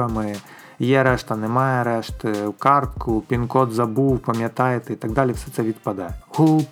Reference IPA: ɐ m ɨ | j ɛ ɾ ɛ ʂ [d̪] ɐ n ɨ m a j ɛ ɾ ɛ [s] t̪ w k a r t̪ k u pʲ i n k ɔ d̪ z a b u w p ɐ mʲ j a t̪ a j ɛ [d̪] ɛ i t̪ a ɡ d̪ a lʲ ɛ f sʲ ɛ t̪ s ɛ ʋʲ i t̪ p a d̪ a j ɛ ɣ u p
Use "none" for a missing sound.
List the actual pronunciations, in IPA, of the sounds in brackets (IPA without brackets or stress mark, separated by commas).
t̪, ʂ, t̪